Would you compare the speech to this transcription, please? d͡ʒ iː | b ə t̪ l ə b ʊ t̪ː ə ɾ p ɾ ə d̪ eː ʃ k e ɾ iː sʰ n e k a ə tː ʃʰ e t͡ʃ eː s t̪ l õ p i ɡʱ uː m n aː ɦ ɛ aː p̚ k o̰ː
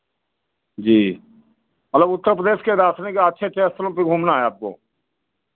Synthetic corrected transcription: d͡ʒ iː | m ə t̪ l ə b ʊ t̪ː ə ɾ p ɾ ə d̪ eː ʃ k e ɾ aː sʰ n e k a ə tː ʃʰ e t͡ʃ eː s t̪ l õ p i ɡʱ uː m n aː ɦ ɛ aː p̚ k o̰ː